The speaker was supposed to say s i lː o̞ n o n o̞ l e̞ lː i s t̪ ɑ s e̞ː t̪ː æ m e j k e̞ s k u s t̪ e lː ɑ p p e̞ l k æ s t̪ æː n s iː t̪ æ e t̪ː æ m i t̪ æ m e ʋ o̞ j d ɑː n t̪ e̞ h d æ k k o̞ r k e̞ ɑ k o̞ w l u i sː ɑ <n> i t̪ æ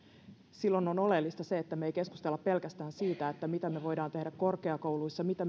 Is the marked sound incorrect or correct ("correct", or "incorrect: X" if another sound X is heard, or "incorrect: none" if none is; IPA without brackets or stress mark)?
incorrect: m